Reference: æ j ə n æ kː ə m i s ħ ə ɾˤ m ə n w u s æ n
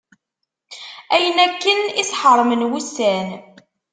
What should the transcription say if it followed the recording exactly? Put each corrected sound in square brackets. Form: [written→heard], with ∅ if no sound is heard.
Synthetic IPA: æ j ə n æ kː ə [m→n] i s ħ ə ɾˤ m ə n w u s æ n